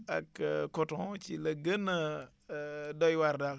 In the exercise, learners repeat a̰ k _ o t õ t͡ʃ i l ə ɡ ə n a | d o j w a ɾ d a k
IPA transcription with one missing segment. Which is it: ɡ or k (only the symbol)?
k